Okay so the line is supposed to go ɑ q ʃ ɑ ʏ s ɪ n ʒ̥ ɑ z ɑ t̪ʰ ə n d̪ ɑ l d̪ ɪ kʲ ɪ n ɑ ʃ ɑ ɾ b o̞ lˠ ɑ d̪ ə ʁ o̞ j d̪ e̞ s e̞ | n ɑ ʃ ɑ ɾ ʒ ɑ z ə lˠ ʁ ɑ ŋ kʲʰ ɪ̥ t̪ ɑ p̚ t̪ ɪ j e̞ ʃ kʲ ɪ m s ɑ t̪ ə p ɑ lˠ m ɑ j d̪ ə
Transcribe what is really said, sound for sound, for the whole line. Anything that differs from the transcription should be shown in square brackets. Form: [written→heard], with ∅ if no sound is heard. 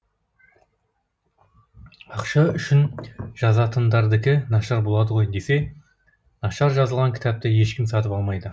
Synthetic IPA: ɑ q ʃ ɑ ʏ [s→ʃ] ɪ n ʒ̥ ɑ z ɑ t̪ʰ ə n d̪ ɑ [l→ɾ] d̪ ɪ kʲ ɪ n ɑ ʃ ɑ ɾ b o̞ lˠ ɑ d̪ ə ʁ o̞ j d̪ e̞ s e̞ | n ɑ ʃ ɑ ɾ ʒ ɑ z ə lˠ ʁ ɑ ŋ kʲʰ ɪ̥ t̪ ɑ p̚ t̪ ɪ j e̞ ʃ kʲ ɪ m s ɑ t̪ ə p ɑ lˠ m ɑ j d̪ ə